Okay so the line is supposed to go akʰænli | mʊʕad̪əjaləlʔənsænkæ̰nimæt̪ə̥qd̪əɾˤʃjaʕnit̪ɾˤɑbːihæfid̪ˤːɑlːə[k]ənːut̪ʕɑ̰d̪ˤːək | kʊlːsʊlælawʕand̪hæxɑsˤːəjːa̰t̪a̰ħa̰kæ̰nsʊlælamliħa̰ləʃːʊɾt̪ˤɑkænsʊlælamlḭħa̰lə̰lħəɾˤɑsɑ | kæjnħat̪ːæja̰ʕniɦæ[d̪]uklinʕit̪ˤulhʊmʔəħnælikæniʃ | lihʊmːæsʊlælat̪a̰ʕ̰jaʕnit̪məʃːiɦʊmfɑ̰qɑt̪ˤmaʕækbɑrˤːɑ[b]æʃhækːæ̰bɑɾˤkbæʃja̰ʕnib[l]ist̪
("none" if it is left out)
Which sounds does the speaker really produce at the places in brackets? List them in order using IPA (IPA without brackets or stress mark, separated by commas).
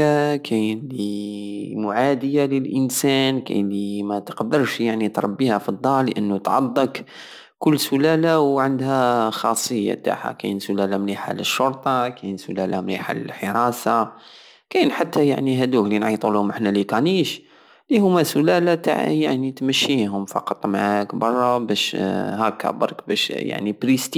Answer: ʔ, d̪, b, ɾ